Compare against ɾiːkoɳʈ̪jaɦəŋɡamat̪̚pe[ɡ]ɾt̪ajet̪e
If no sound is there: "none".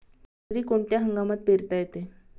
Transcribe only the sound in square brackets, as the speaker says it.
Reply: none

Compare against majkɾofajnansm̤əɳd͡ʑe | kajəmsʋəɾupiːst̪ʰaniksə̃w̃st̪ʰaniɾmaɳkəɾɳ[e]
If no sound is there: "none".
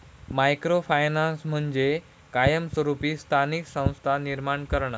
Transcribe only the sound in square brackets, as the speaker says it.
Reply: a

